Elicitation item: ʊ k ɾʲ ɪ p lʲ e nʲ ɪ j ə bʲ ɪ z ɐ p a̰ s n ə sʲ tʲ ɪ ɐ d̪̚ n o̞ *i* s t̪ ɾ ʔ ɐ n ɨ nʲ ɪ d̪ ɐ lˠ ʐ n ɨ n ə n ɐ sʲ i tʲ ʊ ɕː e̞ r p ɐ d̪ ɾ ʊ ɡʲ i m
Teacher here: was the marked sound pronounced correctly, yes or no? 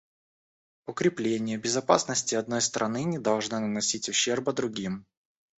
no